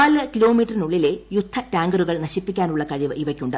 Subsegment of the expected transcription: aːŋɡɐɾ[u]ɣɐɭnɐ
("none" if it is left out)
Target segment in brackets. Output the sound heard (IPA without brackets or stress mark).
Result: u